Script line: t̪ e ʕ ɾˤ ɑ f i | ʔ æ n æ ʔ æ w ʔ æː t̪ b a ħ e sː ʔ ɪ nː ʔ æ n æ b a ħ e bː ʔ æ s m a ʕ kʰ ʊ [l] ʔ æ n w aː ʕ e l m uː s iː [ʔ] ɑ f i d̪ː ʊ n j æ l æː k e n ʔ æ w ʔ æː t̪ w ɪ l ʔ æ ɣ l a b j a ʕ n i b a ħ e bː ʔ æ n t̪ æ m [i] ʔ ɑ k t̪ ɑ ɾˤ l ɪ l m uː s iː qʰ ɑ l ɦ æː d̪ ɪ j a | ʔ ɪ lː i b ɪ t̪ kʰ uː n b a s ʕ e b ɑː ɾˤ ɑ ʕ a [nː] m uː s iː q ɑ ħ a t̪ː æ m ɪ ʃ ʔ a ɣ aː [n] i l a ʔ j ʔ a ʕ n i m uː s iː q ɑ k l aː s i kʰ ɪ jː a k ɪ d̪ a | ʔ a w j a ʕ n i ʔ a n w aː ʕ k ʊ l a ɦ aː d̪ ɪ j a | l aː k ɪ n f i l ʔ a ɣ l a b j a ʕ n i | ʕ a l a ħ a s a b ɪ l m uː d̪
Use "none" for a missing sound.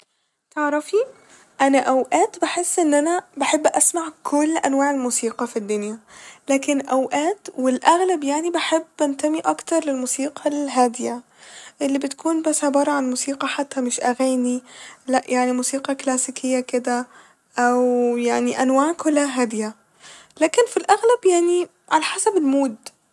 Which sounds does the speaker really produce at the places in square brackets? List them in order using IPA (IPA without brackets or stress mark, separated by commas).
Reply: lː, q, i, n, n